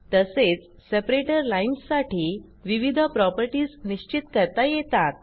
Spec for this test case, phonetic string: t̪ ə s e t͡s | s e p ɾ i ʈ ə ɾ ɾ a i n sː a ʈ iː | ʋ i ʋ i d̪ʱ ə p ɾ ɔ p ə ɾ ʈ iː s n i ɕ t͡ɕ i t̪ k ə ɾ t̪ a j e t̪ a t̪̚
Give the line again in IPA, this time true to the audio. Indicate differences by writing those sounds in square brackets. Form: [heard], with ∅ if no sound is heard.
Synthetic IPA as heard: t̪ ə s e t͡s | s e p ɾ [e] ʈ ə ɾ [l] a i n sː a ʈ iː | ʋ i ʋ i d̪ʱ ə p ɾ ɔ p ə ɾ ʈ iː s n i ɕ t͡ɕ i t̪ k ə ɾ t̪ a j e t̪ a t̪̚